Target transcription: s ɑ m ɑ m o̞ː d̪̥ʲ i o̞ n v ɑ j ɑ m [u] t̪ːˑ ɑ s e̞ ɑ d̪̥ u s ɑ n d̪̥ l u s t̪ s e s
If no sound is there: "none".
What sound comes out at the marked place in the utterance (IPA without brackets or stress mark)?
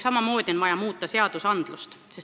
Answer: uː